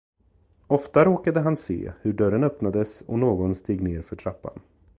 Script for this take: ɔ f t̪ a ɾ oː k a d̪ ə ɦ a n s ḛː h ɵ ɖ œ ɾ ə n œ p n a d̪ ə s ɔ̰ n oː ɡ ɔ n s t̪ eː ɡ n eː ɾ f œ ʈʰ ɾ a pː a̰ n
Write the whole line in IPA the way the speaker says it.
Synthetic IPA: ɔ f t̪ a ɾ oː k a d̪ ə ɦ a n s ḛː h ɵ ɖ œ ɾ ə n œ p n a d̪ ə s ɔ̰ n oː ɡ ɔ n s t̪ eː ɡ n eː ɾ f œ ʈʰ ɾ a pː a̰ n